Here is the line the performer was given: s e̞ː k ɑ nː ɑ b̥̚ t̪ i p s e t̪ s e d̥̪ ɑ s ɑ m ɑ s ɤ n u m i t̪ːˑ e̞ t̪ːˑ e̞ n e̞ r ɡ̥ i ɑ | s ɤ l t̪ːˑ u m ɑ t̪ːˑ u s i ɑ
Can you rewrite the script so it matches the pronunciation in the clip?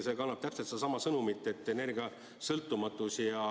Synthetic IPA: s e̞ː k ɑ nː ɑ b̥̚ t̪ æ p s e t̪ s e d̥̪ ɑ s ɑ m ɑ s ɤ n u m i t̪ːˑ e̞ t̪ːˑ e̞ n e̞ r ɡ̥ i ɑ | s ɤ l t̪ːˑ u m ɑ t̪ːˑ u s i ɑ